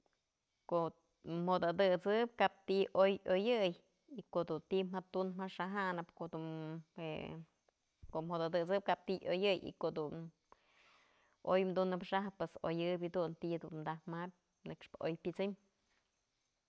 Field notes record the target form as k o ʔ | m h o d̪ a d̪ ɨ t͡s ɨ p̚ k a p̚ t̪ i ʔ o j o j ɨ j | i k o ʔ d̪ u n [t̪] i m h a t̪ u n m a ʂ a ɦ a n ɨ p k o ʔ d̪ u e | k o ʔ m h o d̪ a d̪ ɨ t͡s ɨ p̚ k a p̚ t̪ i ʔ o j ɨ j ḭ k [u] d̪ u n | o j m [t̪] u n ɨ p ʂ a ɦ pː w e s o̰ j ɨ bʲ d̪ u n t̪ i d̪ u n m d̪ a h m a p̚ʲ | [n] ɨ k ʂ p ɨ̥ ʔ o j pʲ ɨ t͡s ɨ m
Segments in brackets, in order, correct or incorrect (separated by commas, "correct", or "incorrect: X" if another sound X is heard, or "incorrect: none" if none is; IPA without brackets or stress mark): correct, incorrect: o, incorrect: d̪, correct